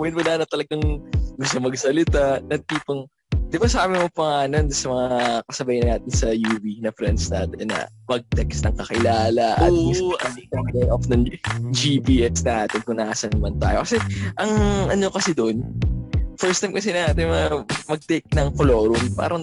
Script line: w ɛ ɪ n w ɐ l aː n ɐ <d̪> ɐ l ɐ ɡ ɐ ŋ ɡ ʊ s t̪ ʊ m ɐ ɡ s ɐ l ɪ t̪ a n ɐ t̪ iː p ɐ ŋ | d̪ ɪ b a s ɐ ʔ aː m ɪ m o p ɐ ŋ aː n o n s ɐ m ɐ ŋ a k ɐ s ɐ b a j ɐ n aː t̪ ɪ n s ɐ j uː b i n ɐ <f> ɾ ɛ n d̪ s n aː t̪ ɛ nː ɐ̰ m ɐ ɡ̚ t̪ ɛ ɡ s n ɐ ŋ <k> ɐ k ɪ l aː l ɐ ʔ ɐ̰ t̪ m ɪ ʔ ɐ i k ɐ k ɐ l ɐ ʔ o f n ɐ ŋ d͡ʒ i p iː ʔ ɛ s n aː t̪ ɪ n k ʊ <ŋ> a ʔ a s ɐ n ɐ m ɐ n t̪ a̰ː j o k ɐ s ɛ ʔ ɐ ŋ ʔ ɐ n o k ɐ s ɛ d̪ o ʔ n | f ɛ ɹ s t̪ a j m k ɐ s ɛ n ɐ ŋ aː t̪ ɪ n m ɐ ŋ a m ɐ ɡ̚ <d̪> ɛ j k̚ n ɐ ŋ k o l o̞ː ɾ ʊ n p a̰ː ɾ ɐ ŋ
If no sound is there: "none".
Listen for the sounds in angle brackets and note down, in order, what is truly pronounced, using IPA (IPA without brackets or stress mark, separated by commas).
t̪, f, k, n, t̪